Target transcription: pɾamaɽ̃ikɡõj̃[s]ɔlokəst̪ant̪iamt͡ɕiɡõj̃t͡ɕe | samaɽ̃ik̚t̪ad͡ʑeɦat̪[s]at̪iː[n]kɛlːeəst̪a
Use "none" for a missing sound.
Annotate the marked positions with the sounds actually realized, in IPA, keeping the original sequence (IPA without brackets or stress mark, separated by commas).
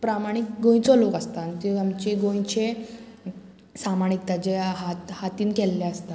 t͡s, h, n